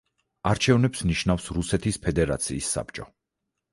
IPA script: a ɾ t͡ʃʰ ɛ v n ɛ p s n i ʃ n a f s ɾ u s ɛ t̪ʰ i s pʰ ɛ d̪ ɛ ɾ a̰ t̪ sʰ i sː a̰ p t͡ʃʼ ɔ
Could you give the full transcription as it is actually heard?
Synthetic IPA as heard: a ɾ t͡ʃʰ ɛ v n ɛ p s n i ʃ n a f s ɾ u s ɛ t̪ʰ i s pʰ ɛ d̪ ɛ ɾ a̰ t̪ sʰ iː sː a̰ p t͡ʃʼ ɔ